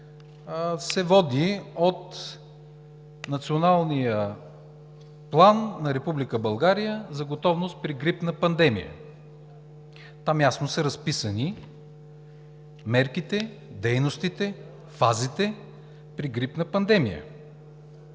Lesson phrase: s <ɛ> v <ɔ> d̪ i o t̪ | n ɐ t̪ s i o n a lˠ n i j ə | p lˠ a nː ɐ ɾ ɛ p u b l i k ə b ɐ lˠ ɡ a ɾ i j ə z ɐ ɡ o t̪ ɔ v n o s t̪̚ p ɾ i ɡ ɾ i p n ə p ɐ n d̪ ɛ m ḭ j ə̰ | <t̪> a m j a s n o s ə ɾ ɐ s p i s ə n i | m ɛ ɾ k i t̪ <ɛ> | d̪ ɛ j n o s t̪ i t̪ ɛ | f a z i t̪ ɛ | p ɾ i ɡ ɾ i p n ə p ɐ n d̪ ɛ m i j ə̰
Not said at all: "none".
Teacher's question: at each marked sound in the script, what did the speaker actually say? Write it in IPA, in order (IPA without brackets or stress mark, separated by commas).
ɛ, ɔ, t̪, ɛ